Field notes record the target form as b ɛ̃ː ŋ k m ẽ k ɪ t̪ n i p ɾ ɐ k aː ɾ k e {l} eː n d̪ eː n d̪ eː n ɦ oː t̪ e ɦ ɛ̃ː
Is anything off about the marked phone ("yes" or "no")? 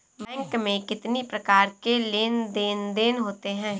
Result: no